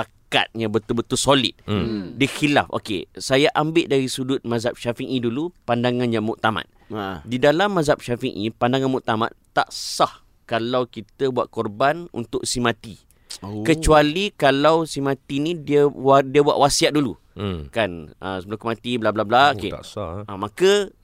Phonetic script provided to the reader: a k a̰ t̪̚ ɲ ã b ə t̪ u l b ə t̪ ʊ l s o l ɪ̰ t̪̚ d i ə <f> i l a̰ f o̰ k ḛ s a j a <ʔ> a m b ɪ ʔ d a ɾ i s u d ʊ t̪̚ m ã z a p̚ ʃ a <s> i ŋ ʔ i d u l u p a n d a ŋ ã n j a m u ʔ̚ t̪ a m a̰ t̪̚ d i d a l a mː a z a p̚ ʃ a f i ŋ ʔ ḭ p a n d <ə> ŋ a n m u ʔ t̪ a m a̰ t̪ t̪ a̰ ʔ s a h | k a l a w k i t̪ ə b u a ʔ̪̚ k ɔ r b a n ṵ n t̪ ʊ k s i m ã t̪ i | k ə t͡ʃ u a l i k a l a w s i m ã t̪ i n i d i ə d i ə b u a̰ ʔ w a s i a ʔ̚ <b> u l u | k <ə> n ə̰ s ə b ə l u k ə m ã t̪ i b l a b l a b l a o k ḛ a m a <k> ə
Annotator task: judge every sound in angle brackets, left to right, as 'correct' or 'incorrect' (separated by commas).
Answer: incorrect, correct, incorrect, incorrect, incorrect, incorrect, correct